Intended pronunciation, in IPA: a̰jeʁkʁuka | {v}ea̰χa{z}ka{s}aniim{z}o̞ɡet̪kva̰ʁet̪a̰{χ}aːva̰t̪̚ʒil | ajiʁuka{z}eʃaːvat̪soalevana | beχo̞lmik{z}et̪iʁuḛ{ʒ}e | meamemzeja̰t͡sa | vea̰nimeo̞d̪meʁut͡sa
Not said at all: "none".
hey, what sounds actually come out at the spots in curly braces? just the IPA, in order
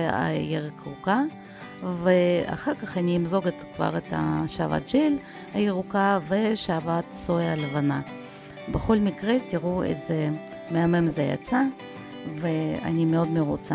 v, ʁ, χ, z, ʃ, v, ʁ, z

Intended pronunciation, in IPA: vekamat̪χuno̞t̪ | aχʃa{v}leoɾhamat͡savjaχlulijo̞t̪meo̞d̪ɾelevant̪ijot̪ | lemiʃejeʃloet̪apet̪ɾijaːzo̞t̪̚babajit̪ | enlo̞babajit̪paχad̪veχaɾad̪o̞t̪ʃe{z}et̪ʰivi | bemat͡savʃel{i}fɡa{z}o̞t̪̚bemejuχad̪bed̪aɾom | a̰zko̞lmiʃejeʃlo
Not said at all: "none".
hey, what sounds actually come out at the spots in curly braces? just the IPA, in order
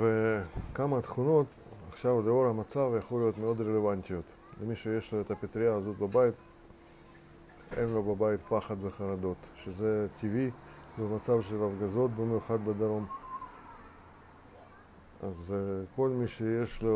v, z, a, z

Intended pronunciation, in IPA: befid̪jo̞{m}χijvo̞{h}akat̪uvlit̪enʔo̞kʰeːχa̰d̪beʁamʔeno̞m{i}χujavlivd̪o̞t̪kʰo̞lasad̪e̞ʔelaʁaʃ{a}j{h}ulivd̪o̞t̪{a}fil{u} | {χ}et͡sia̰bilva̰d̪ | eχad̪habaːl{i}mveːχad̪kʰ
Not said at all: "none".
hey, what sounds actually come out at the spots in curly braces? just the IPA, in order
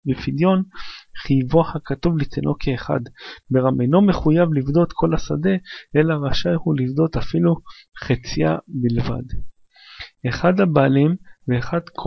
n, h, e, a, h, a, u, χ, i

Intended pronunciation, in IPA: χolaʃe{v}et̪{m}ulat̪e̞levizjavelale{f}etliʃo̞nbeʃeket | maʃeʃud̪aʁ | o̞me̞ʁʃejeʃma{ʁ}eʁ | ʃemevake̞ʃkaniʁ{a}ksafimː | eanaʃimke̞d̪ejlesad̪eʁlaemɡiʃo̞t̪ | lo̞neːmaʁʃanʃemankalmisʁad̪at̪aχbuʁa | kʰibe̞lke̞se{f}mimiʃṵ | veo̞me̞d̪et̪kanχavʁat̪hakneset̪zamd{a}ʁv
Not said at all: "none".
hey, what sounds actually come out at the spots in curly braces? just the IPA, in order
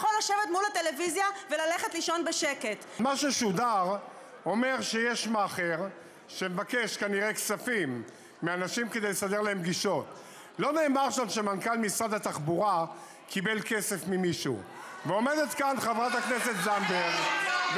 v, m, χ, χ, e, f, e

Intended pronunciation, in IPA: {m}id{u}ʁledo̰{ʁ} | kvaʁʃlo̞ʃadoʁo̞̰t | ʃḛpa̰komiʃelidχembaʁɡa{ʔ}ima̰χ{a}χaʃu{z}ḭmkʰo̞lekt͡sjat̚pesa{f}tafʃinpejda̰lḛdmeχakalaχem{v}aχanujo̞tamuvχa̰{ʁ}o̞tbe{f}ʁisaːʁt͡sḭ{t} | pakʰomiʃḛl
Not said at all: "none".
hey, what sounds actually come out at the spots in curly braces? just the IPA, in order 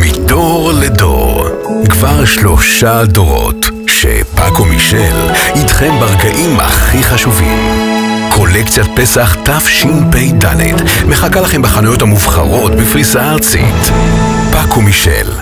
m, o, ʁ, ʔ, i, v, χ, b, ʁ, f, t

